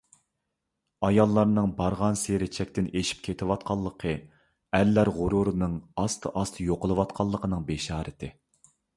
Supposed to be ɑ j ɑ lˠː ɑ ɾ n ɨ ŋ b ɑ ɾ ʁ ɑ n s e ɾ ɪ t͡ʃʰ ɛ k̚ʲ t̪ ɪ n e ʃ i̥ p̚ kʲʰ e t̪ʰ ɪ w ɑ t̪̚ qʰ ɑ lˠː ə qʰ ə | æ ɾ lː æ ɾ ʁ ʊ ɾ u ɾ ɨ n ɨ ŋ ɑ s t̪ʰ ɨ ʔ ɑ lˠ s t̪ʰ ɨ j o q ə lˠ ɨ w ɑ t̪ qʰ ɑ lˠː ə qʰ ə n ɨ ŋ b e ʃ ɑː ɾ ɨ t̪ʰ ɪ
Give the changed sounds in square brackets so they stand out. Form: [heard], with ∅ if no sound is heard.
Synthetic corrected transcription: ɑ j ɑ lˠː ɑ ɾ n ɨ ŋ b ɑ ɾ ʁ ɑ n s e ɾ ɪ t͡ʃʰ ɛ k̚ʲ t̪ ɪ n e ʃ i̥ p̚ kʲʰ e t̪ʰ ɪ w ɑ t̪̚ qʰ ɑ lˠː ə qʰ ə | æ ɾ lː æ ɾ ʁ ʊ ɾ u ɾ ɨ n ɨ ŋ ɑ s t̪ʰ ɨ ʔ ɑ [∅] s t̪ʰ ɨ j o q ə lˠ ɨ w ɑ t̪ qʰ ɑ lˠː ə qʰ ə n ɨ ŋ b e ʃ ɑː ɾ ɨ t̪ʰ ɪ